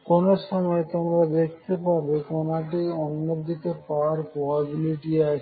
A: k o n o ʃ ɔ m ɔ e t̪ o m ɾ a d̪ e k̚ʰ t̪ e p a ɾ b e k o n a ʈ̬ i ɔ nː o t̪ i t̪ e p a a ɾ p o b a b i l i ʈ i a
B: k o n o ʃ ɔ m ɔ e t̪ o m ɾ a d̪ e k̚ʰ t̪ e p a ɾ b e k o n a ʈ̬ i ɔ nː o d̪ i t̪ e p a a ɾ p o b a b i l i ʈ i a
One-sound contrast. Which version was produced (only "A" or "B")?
B